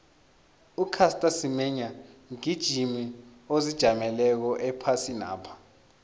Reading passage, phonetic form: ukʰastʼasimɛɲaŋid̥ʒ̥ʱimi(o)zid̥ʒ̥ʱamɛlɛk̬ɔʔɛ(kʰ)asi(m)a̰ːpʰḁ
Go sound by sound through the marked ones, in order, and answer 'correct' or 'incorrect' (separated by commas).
correct, incorrect, incorrect